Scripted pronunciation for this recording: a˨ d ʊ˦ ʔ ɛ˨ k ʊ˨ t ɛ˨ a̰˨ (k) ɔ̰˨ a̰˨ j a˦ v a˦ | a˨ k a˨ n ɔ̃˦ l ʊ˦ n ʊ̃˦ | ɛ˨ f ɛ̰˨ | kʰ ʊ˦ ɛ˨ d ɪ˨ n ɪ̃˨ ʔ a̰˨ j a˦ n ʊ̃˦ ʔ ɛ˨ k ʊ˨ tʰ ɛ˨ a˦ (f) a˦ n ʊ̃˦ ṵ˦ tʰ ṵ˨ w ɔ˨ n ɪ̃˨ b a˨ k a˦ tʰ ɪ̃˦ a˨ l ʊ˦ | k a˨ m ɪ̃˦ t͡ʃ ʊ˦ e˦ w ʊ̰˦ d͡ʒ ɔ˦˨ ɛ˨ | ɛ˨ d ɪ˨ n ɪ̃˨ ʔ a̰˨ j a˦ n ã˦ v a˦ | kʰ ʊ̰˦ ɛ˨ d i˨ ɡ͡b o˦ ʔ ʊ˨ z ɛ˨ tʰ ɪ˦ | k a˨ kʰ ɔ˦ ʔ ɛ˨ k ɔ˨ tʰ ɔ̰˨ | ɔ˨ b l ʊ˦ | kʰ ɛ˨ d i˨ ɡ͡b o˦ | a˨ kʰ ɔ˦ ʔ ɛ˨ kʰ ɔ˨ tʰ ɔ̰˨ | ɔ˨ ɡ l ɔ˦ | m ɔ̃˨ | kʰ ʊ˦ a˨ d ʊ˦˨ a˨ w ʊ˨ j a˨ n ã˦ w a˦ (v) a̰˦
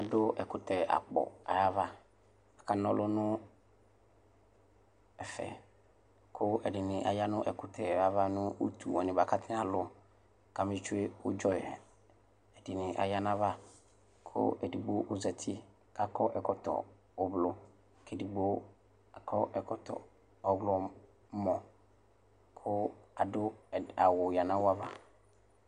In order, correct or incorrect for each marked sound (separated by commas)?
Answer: incorrect, incorrect, correct